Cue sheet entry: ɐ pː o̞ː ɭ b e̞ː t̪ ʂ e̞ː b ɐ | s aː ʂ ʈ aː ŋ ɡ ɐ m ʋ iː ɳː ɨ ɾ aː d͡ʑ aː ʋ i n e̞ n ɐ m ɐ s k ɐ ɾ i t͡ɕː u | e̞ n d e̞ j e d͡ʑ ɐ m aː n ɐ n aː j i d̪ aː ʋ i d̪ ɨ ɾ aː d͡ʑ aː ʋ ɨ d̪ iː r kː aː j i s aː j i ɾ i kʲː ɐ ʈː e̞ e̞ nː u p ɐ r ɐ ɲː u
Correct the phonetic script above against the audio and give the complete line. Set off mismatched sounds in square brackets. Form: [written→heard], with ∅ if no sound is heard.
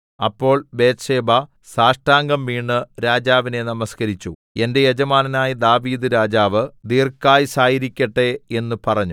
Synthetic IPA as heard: ɐ pː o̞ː ɭ b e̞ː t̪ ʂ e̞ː b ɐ | s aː ʂ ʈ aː ŋ ɡ ɐ m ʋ iː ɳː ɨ ɾ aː d͡ʑ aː ʋ i n e̞ n ɐ m ɐ s k ɐ ɾ i t͡ɕː u | e̞ n d e̞ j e d͡ʑ ɐ m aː n ɐ n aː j i d̪ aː ʋ [i→iː] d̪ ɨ ɾ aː d͡ʑ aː ʋ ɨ d̪ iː r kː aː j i s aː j i ɾ i kʲː ɐ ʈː e̞ e̞ nː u p ɐ r ɐ ɲː u